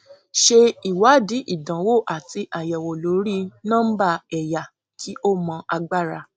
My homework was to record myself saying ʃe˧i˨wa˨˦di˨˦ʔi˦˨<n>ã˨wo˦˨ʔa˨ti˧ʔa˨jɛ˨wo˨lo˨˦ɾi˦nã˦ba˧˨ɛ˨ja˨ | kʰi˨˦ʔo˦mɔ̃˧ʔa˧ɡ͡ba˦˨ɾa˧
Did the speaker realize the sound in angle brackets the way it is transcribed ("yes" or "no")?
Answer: no